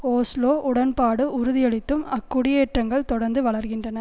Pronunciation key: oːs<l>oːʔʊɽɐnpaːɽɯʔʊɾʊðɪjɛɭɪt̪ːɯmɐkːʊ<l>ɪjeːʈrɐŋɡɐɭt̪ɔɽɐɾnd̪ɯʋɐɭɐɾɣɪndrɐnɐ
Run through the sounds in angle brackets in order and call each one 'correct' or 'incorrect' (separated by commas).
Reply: correct, incorrect